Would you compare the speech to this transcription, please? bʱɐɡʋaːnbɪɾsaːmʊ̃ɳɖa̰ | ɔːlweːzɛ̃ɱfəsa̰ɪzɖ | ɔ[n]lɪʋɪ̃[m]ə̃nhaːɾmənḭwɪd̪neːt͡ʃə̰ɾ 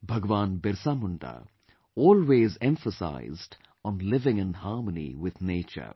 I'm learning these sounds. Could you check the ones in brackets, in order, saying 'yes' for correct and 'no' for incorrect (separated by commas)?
yes, no